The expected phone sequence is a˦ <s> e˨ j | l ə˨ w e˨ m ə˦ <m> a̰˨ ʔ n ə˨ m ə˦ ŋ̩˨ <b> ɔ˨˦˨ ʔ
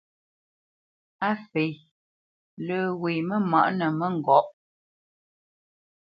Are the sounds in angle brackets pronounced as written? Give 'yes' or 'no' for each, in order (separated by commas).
no, yes, no